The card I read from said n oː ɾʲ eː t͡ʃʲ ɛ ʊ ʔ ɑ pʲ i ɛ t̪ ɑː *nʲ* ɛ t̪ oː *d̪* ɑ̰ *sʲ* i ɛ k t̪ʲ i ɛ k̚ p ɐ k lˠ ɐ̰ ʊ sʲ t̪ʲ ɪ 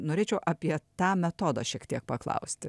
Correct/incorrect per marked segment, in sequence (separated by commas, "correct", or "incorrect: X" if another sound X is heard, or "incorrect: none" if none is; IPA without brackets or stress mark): incorrect: mʲ, correct, incorrect: ʃʲ